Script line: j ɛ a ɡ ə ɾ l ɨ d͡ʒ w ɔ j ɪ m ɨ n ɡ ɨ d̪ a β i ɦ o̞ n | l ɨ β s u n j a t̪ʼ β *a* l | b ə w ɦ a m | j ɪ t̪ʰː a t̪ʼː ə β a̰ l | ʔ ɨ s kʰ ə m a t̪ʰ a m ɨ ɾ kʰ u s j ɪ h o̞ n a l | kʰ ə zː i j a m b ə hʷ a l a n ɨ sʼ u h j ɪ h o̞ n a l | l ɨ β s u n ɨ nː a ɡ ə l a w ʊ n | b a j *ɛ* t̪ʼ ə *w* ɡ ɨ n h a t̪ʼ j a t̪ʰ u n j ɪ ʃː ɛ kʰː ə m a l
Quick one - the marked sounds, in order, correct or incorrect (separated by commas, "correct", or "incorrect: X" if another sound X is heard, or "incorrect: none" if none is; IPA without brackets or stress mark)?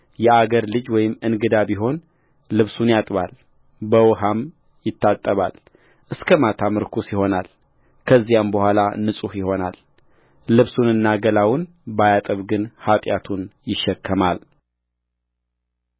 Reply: correct, incorrect: a, incorrect: β